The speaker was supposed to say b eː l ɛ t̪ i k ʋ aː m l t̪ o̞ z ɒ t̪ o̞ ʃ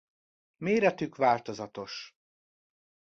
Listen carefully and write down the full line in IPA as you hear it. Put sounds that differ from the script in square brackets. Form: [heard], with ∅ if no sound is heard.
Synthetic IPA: [m] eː [ɾ] ɛ t̪ [y] k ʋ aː [∅] l t̪ o̞ z ɒ t̪ o̞ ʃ